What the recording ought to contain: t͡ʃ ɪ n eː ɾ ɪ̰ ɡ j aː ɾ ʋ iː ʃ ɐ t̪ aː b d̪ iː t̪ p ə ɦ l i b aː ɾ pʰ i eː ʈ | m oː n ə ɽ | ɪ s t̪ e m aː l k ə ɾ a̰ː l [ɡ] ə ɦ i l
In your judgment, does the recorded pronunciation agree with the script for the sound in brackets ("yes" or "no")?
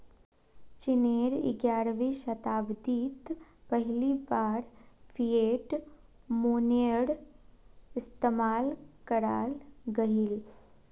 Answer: yes